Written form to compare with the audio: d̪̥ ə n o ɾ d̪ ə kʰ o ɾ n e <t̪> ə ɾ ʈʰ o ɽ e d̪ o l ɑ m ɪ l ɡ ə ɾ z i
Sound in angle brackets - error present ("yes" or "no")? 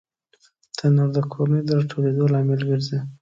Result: yes